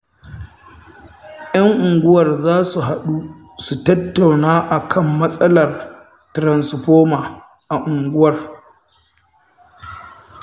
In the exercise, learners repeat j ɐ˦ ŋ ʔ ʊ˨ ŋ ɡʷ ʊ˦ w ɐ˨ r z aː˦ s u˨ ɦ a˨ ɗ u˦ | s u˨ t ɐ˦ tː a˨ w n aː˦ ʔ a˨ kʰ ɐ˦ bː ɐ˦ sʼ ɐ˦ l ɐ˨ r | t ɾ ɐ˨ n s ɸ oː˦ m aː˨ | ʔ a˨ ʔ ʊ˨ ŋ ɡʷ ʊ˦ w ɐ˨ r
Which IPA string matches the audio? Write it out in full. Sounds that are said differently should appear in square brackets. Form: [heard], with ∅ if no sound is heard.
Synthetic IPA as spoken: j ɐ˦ ŋ ʔ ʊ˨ ŋ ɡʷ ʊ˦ w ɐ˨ r z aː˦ s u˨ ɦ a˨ ɗ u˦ | s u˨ t ɐ˦ tː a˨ w n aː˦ ʔ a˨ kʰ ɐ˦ [mː] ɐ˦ sʼ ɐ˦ l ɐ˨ r | t ɾ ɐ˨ n s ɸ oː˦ m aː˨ | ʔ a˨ ʔ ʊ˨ ŋ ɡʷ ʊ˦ w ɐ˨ r